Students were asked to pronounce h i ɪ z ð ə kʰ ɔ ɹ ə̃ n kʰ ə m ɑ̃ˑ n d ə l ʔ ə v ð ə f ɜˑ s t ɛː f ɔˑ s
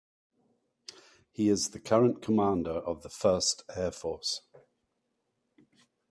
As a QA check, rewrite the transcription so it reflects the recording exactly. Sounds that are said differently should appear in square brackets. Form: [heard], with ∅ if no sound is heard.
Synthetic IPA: h i ɪ z ð ə kʰ [ʌ] ɹ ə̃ n kʰ ə m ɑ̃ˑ n d ə [ɹ] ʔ ə v ð ə f ɜˑ s t ɛː f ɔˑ s